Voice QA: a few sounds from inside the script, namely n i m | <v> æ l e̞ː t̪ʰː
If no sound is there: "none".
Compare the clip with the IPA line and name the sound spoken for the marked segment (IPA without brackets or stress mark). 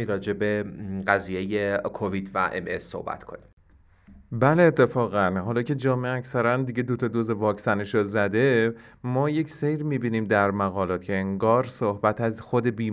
b